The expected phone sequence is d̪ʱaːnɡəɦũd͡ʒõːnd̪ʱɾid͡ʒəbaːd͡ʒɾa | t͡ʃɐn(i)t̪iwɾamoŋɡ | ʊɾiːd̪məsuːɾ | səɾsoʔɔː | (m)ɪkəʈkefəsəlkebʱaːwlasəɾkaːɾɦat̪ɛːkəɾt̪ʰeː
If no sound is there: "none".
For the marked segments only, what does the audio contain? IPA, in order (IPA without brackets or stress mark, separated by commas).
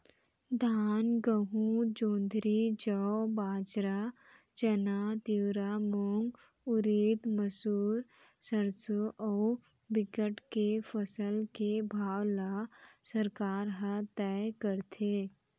a, b